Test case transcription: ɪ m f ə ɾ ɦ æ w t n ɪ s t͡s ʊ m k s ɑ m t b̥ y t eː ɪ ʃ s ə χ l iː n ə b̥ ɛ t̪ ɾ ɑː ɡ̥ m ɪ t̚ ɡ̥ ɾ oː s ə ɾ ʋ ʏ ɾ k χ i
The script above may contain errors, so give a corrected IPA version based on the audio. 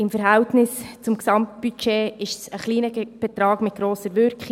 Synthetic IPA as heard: ɪ m f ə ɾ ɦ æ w t n ɪ s t͡s ʊ m k s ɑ m t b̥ y t͡ʃ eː ɪ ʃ s ə χ l iː n ə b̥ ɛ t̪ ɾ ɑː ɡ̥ m ɪ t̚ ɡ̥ ɾ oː s ə ɾ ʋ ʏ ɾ k χ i